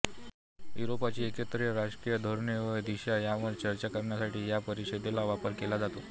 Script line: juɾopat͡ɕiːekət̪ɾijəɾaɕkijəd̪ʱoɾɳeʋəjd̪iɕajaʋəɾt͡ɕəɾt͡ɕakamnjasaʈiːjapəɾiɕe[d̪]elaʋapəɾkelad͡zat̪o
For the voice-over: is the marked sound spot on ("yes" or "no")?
yes